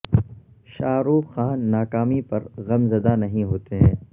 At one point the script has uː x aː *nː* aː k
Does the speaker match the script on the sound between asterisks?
yes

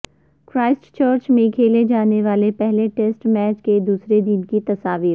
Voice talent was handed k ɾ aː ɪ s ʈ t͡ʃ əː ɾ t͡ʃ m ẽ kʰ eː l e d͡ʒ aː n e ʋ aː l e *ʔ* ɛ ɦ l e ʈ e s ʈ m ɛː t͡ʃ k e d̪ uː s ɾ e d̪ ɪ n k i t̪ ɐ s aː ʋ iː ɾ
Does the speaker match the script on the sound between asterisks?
no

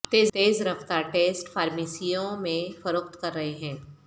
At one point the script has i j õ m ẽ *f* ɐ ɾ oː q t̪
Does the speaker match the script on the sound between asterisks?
yes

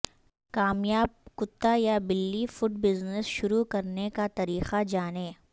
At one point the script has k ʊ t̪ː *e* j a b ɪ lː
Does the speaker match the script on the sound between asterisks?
no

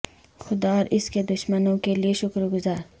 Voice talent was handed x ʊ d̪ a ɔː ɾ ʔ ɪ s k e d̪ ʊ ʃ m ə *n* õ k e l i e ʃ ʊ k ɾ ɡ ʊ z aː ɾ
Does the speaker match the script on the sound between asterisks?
yes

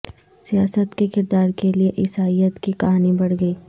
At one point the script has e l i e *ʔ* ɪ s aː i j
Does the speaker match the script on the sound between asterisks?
yes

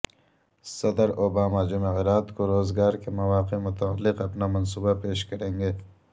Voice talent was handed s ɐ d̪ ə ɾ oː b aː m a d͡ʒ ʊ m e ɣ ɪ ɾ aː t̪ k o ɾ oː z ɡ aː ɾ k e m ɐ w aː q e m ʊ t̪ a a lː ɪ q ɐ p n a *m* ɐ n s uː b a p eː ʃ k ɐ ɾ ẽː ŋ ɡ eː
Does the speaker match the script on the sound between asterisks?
yes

